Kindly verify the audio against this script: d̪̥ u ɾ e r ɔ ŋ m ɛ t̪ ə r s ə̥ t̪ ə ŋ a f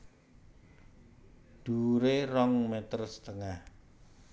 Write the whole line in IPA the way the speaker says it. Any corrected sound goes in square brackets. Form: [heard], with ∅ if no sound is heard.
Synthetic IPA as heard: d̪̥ u ɾ e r ɔ ŋ m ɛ t̪ ə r s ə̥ t̪ ə ŋ a [h]